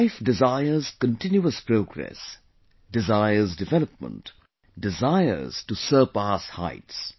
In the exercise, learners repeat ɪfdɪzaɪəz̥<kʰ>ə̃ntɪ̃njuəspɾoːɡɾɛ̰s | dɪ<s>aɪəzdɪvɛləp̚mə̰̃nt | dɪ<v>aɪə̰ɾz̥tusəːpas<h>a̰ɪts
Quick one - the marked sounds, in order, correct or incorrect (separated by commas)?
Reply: incorrect, incorrect, incorrect, correct